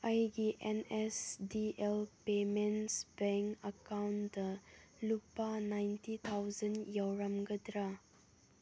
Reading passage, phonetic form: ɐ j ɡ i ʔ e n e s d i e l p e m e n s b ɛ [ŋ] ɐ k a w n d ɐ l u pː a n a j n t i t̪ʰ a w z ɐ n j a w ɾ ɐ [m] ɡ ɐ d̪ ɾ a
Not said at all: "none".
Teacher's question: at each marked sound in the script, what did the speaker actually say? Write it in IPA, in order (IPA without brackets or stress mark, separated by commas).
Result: ŋ, m